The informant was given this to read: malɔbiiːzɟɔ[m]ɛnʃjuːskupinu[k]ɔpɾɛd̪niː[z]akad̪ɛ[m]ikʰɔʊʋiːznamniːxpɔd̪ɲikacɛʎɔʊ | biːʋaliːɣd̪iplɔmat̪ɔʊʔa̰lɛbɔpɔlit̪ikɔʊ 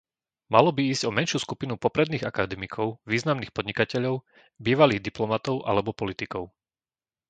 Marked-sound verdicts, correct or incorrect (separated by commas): correct, incorrect, incorrect, correct